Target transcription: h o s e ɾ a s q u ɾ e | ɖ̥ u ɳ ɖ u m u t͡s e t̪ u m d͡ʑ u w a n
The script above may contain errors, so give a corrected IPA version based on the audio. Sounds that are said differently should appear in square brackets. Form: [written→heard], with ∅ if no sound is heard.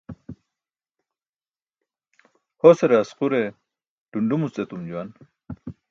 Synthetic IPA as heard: h o s e ɾ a s q u ɾ e | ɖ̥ u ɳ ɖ u m u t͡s e t̪ u m d͡ʑ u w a n